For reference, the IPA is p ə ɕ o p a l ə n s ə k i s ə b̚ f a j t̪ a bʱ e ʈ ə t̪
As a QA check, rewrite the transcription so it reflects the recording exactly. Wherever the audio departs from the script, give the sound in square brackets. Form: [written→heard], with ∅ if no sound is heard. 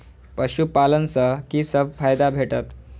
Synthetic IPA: p ə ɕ [o→u] p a l ə n s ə k i s ə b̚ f a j [t̪→d̪] a bʱ e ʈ ə t̪